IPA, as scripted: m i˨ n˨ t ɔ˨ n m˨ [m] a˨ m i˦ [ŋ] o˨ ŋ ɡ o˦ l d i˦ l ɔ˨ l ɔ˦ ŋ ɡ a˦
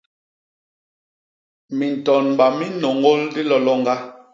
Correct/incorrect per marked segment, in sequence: incorrect: b, incorrect: n

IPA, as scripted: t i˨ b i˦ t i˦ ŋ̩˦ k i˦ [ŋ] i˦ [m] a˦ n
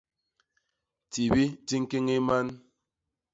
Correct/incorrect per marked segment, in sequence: correct, correct

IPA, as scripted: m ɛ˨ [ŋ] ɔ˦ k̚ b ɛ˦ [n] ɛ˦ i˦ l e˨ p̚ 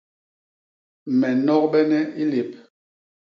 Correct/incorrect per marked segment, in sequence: incorrect: n, correct

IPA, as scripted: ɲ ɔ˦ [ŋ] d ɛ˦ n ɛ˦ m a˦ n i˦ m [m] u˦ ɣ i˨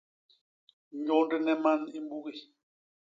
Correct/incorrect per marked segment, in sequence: incorrect: n, incorrect: b

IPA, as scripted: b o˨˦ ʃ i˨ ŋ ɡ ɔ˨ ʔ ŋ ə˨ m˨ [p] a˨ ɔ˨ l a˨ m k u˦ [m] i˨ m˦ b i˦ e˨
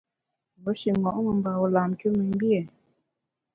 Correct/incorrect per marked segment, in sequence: incorrect: b, correct

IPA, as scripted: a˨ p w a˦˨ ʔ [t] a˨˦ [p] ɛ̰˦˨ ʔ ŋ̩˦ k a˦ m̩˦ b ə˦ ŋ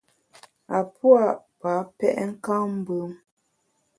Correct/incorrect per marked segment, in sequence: incorrect: p, correct

